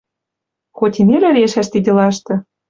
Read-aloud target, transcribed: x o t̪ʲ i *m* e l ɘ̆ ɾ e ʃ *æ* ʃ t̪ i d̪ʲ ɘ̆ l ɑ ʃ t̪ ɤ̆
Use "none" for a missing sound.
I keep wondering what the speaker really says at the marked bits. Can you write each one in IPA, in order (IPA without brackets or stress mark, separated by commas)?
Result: n, æ